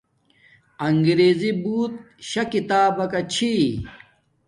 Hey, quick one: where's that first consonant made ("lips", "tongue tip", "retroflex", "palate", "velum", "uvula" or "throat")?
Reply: velum